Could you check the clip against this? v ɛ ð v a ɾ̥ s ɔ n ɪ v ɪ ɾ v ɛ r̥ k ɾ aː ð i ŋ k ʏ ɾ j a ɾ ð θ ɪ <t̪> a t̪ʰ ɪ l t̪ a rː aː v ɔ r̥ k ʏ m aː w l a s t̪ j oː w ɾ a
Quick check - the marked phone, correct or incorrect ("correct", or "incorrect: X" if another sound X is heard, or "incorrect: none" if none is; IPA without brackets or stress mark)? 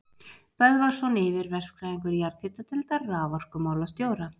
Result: correct